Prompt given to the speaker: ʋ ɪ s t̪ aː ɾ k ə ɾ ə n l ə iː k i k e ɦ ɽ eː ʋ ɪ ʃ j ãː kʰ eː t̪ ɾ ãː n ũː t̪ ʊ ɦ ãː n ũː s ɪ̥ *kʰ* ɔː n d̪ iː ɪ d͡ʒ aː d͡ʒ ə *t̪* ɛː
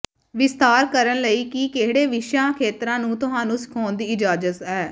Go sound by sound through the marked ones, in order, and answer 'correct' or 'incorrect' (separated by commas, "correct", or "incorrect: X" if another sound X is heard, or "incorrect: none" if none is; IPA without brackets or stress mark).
correct, correct